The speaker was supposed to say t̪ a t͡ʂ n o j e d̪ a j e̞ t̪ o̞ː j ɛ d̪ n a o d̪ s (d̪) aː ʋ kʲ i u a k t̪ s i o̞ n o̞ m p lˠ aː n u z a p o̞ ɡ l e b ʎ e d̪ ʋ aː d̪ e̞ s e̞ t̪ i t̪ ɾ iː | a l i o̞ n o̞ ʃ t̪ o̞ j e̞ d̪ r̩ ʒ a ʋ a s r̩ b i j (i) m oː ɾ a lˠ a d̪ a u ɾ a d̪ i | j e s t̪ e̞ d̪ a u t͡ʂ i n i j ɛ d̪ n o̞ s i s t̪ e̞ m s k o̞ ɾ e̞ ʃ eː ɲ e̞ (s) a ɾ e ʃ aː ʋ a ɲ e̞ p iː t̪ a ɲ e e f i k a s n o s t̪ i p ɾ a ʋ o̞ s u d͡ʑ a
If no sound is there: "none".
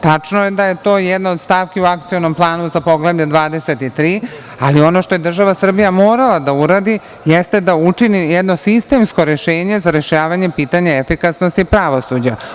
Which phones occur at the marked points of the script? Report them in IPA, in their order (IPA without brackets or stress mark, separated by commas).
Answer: t̪, a, z